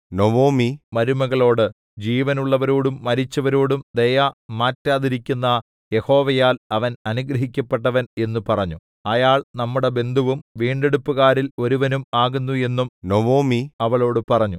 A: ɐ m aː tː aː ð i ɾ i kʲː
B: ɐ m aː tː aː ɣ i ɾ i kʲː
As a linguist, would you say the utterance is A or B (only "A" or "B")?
A